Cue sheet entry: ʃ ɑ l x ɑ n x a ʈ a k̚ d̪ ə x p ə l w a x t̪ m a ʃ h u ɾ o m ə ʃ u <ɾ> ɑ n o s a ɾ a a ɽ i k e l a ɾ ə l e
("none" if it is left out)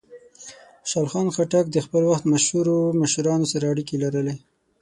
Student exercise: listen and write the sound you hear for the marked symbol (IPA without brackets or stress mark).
ɾ